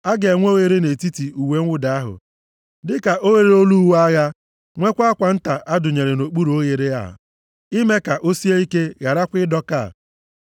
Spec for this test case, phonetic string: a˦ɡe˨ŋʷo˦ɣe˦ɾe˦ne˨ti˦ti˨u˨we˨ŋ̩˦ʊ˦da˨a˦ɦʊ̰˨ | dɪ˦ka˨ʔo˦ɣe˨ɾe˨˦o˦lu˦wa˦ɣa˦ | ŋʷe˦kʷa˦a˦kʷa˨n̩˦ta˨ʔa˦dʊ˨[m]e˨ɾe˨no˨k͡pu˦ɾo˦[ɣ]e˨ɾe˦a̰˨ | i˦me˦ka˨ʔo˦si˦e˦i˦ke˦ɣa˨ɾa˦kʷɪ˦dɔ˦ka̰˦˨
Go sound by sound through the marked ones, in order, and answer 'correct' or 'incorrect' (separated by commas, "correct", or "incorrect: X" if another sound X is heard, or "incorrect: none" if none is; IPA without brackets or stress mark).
incorrect: ɲ, correct